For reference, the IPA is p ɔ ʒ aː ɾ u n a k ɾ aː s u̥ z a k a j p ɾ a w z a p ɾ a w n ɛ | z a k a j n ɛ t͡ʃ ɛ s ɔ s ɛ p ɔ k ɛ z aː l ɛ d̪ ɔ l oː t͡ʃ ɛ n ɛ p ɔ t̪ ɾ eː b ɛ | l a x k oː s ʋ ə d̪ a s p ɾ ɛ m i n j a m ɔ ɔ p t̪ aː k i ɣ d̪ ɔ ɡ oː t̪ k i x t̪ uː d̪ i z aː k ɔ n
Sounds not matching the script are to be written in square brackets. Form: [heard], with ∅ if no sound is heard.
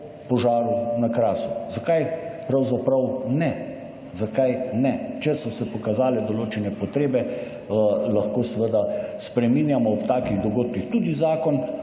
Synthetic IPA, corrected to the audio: p ɔ ʒ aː ɾ u n a k ɾ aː s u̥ z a k a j p ɾ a w z a p ɾ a w n ɛ | z a k a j n ɛ t͡ʃ ɛ s ɔ s ɛ p ɔ k [a] z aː l ɛ d̪ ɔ l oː t͡ʃ ɛ n ɛ p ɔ t̪ ɾ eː b ɛ | l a x k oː s ʋ ə d̪ a s p ɾ ɛ m i n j a m ɔ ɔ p t̪ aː k i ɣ d̪ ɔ ɡ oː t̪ k i x t̪ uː d̪ i z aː k ɔ n

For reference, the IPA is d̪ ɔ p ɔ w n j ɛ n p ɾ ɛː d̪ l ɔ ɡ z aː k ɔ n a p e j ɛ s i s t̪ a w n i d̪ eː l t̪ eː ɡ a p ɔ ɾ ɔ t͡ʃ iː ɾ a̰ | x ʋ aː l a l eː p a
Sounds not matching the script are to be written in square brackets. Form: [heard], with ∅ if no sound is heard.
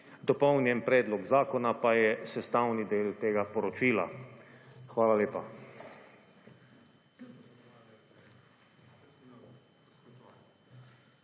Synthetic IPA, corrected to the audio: d̪ ɔ p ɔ w n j ɛ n p ɾ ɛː d̪ l ɔ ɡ z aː k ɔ n a p [a] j ɛ s [ɛ] s t̪ a w n i d̪ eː l t̪ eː ɡ a p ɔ ɾ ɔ t͡ʃ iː [l] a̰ | x ʋ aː l a l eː p a

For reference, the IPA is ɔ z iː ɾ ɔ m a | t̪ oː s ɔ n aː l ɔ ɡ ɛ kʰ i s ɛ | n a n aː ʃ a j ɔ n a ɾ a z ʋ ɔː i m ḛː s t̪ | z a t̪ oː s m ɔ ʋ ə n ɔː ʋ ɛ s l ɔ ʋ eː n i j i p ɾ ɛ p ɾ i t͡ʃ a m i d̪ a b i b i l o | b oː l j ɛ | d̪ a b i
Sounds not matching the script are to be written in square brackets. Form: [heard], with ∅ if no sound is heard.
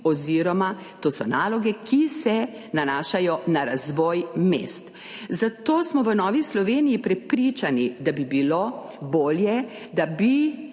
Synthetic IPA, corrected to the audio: ɔ z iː ɾ ɔ m a | t̪ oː s ɔ n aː l ɔ ɡ ɛ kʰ i s ɛ | n a n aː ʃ a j ɔ n a ɾ a z ʋ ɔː [j] m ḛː s t̪ | z a t̪ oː s m ɔ ʋ ə n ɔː ʋ [i] s l ɔ ʋ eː n i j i p ɾ ɛ p ɾ i t͡ʃ a [n] i d̪ a b i b i l o | b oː l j ɛ | d̪ a b i

